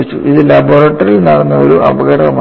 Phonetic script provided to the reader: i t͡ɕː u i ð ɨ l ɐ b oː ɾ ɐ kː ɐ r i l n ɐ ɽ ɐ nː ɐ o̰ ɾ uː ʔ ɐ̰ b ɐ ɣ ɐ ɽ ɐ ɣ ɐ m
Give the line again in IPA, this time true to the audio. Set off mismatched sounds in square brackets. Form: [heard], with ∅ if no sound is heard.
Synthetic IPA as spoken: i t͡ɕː u i ð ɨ l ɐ b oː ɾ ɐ [ʈː] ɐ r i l n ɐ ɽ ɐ nː ɐ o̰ ɾ [u] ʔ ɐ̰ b ɐ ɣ ɐ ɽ ɐ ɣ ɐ m